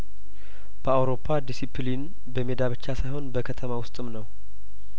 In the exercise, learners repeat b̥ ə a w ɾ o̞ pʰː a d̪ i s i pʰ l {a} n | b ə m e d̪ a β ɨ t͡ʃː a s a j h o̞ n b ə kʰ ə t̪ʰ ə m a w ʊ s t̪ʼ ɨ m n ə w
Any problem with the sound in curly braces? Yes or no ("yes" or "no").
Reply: yes